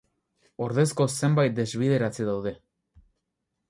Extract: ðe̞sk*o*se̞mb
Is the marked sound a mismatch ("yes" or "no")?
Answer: no